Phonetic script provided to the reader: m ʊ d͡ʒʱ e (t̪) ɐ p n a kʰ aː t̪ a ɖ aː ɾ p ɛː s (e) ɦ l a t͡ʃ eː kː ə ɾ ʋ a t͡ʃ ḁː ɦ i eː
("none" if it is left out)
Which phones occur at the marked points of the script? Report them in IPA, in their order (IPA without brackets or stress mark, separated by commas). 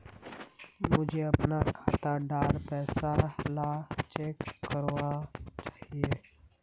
none, a